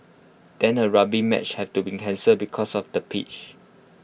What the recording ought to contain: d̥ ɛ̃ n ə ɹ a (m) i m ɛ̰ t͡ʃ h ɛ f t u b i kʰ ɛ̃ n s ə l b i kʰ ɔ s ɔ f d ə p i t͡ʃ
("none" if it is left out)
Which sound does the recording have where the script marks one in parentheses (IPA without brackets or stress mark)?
b